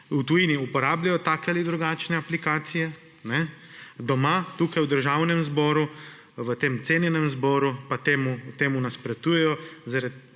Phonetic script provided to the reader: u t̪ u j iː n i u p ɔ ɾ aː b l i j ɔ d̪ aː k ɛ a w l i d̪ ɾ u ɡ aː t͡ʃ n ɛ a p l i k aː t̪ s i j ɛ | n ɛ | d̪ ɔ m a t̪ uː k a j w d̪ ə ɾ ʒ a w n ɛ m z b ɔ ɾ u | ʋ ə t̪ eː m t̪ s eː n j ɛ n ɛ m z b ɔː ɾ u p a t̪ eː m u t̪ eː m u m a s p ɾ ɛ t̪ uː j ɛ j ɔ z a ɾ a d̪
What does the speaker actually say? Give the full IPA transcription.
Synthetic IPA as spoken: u t̪ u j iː n i u p ɔ ɾ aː b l a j ɔ t̪ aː k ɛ a l i d̪ ɾ u ɡ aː t͡ʃ n ɛ a p l i k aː t̪ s i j ɛ | n ɛ | d̪ ɔ m a t̪ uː k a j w d̪ ə ɾ ʒ a w n ɛ m z b ɔ ɾ u | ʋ ə t̪ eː m t̪ s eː n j ɛ n ɛ m z b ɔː ɾ u p a t̪ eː m u t̪ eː m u n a s p ɾ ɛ t̪ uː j ɛ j ɔ z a ɾ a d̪